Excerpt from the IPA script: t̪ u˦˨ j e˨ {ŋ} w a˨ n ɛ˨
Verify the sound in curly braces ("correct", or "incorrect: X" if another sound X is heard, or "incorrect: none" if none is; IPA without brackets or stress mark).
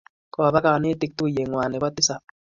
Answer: correct